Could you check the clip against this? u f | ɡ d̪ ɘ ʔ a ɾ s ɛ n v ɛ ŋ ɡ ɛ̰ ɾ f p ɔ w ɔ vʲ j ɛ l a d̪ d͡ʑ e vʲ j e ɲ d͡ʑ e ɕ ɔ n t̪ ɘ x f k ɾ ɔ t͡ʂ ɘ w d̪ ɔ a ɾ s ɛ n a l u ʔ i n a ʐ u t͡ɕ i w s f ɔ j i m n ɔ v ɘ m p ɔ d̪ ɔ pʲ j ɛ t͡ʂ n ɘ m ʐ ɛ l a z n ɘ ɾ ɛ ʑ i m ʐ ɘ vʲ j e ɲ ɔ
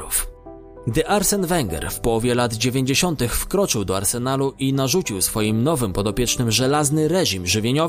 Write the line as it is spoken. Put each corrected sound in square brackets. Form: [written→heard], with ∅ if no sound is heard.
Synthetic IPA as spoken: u f | ɡ d̪ ɘ ʔ a ɾ s ɛ n v ɛ ŋ ɡ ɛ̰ ɾ f p ɔ w ɔ vʲ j ɛ l a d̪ d͡ʑ e vʲ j e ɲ d͡ʑ e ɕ ɔ n t̪ ɘ x f k ɾ ɔ t͡ʂ ɘ w d̪ ɔ a ɾ s ɛ n a l u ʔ i n a ʐ u t͡ɕ i w s f ɔ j i m n ɔ v ɘ m p ɔ d̪ ɔ pʲ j ɛ t͡ʂ n ɘ m ʐ ɛ l a z n ɘ ɾ ɛ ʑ i m ʐ ɘ vʲ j e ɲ ɔ